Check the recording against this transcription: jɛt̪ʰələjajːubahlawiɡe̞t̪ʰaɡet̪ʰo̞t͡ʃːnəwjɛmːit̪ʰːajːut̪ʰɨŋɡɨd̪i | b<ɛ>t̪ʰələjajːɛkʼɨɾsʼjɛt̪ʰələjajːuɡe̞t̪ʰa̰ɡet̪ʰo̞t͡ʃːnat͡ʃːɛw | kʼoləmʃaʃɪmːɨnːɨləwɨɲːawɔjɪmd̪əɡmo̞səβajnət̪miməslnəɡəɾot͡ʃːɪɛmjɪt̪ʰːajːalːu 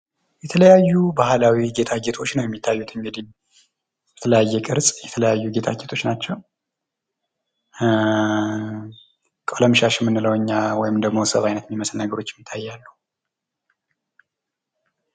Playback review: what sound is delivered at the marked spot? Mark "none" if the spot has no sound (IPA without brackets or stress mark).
ɛ